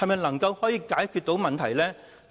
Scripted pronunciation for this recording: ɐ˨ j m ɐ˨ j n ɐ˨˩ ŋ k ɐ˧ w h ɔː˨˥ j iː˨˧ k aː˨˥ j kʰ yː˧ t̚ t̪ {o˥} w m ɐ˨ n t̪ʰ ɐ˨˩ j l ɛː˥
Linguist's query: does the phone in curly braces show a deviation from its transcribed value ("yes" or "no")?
yes